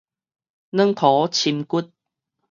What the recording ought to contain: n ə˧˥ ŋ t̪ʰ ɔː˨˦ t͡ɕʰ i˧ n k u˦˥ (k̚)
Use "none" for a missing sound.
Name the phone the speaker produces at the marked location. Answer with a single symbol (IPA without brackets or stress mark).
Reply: t̚